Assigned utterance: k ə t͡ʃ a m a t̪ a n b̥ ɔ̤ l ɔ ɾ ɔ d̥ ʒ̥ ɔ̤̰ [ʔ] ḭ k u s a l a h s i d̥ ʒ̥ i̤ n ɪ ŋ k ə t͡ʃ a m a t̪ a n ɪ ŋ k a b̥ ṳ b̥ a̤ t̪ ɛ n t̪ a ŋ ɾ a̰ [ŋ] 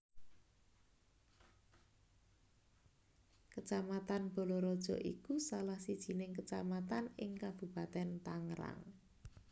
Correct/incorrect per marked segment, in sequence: correct, correct

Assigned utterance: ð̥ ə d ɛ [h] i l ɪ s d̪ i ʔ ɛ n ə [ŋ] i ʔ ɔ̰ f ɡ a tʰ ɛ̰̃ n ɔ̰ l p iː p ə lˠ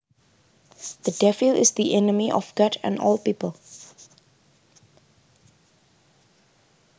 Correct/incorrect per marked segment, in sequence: incorrect: f, incorrect: m

